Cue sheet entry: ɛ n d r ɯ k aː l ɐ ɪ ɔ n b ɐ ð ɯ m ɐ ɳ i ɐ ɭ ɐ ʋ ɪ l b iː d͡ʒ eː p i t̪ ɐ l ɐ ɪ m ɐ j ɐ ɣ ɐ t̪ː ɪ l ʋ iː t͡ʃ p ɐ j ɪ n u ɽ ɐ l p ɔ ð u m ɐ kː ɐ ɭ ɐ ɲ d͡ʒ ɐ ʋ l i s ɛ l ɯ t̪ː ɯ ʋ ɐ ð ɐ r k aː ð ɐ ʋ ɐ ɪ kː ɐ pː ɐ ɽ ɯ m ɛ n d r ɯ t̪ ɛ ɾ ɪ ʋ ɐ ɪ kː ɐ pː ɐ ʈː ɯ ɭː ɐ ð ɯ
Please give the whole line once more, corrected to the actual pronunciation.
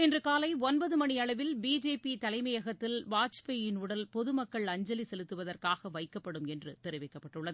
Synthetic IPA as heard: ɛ n d r ɯ k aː l ɐ ɪ ɔ n b ɐ ð ɯ m ɐ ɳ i ɐ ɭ ɐ ʋ ɪ l b iː d͡ʒ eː p i t̪ ɐ l ɐ ɪ m ɐ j ɐ ɣ ɐ t̪ː ɪ l ʋ aː t͡ʃ p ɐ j ɪ n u ɽ ɐ l p ɔ ð ɯ m ɐ kː ɐ ɭ ɐ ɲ d͡ʒ ɐ l i s ɛ l ɯ t̪ː ɯ ʋ ɐ ð ɐ r k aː ɣ ɐ ʋ ɐ ɪ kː ɐ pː ɐ ɽ ɯ m ɛ n d r ɯ t̪ ɛ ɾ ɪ ʋ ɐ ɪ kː ɐ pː ɐ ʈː ɯ ɭː ɐ ð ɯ